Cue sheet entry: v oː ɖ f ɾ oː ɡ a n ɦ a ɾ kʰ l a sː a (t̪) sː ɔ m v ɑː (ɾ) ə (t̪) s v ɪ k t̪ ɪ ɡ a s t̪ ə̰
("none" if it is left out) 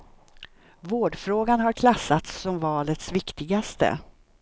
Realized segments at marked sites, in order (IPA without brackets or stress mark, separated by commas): t̪, l, t̪